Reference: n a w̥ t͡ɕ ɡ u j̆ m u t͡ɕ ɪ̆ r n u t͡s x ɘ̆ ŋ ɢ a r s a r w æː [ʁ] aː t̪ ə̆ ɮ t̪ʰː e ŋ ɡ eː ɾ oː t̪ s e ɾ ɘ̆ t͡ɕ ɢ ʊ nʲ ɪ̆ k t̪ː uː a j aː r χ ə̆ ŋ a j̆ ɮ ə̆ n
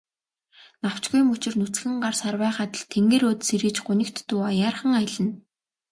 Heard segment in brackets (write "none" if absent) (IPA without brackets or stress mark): χ